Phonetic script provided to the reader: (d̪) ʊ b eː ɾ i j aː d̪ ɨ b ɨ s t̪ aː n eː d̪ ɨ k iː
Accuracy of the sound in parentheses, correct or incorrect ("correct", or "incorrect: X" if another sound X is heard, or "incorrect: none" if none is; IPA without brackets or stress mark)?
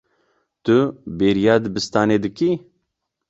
incorrect: t̪